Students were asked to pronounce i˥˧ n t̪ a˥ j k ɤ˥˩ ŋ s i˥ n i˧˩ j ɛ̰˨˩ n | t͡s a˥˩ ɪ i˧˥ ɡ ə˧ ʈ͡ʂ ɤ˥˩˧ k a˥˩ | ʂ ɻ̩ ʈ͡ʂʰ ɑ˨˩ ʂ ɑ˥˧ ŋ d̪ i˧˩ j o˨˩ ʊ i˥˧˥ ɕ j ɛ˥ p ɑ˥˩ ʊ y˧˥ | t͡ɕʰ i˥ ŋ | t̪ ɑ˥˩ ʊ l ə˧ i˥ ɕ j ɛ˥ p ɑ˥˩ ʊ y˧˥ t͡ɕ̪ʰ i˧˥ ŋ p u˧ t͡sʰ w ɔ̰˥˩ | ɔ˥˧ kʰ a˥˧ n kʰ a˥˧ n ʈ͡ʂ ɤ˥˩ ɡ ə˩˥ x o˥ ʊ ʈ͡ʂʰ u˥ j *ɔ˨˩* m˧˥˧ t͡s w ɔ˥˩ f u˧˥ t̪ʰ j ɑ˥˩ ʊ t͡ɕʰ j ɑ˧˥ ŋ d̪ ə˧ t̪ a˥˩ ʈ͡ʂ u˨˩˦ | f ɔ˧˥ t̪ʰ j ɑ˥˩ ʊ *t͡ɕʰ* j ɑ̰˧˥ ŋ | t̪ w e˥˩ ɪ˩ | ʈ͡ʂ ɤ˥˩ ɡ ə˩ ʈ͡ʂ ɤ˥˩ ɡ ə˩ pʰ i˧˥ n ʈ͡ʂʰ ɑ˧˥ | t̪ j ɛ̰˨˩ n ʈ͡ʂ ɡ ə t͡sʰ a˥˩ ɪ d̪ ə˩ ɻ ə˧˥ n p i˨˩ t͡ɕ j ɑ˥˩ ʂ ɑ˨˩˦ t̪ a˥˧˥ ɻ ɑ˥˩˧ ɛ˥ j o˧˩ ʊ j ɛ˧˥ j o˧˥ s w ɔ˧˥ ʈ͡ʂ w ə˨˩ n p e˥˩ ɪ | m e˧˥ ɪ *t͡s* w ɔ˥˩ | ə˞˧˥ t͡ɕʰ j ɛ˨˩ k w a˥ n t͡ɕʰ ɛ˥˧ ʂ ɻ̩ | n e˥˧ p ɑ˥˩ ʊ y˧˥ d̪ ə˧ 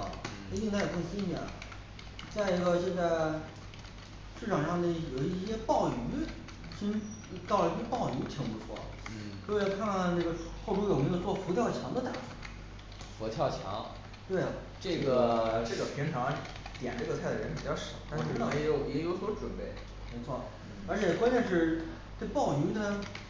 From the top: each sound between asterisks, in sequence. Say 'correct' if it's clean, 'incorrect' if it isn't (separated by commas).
incorrect, correct, incorrect